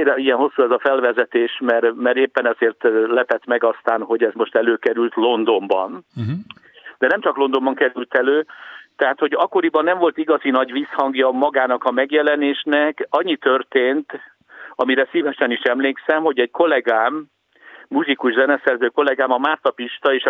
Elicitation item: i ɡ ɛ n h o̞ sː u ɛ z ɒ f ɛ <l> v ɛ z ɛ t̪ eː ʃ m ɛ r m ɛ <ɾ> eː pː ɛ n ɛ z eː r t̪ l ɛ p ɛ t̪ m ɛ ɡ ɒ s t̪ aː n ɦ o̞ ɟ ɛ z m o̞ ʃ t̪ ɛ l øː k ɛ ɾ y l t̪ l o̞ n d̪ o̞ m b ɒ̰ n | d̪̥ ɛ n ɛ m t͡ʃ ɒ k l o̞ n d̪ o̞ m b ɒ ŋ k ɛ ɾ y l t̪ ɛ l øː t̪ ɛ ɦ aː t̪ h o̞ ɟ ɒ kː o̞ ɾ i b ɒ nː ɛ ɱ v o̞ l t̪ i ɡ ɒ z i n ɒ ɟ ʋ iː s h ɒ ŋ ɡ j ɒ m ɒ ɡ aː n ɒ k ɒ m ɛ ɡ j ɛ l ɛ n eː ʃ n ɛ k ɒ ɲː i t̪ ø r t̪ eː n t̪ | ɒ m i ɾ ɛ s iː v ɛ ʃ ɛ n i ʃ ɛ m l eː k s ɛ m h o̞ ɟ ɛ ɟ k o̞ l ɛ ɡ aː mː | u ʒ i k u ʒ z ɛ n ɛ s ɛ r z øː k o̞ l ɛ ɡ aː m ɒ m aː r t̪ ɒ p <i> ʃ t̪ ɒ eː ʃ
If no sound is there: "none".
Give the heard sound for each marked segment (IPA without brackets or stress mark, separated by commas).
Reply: l, ɾ, i